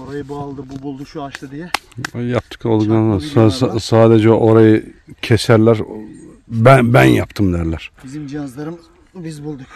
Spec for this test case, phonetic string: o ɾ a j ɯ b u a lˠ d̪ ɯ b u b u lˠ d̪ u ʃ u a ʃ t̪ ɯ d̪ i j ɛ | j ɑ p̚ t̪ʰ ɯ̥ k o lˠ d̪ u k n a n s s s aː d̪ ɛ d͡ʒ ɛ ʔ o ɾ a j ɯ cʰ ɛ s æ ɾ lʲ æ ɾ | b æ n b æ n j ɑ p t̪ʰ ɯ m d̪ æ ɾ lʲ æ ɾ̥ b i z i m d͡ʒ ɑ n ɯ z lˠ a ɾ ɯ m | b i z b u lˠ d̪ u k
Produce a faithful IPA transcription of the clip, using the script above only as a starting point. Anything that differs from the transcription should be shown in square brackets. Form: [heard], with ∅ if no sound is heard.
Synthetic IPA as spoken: o ɾ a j ɯ b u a lˠ d̪ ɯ b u b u lˠ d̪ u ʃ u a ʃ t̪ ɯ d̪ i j ɛ | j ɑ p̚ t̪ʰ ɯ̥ k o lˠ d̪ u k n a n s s s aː d̪ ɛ d͡ʒ ɛ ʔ o ɾ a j ɯ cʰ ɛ s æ ɾ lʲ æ ɾ | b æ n b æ n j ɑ p t̪ʰ ɯ m d̪ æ ɾ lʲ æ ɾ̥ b i z i m d͡ʒ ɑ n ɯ z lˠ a ɾ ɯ m | b i z b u lˠ d̪ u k

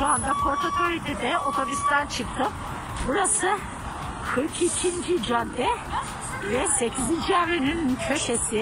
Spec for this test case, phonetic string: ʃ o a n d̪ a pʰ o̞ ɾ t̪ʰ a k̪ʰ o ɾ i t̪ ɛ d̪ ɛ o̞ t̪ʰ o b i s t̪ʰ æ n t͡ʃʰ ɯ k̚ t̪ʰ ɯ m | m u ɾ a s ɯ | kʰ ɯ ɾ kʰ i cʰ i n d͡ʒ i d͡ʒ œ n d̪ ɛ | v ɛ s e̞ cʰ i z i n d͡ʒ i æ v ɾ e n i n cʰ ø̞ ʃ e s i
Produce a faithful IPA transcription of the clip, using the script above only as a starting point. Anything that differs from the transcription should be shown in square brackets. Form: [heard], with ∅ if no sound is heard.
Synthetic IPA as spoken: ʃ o a n d̪ a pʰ o̞ ɾ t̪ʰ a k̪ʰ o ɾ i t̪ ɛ d̪ ɛ o̞ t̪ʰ o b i s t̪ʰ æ n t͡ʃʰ ɯ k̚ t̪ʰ ɯ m | [b] u ɾ a s ɯ | kʰ ɯ ɾ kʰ i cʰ i n d͡ʒ i d͡ʒ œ n d̪ ɛ | v ɛ s e̞ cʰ i z i n d͡ʒ i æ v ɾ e n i n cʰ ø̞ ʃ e s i

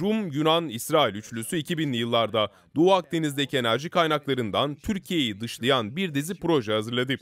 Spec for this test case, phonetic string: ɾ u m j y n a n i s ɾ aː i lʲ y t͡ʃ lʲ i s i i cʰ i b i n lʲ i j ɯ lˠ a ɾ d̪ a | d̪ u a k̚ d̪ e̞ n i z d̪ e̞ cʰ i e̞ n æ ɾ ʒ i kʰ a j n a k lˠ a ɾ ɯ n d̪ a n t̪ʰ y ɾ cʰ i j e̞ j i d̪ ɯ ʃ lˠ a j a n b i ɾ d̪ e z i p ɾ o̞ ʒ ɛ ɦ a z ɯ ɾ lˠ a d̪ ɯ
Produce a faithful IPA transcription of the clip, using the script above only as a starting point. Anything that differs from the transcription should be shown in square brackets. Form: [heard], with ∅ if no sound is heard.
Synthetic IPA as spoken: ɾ u m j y n a n i s ɾ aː i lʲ y t͡ʃ lʲ [y] s [y] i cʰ i b i n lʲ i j ɯ [lˠː] a ɾ d̪ a | d̪ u a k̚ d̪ e̞ n i z d̪ e̞ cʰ i e̞ n æ ɾ ʒ i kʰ a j n a k lˠ a ɾ ɯ n d̪ a n t̪ʰ y ɾ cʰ i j e̞ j i d̪ ɯ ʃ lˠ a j a n b i ɾ d̪ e z i p ɾ o̞ ʒ ɛ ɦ a z ɯ ɾ lˠ a d̪ ɯ

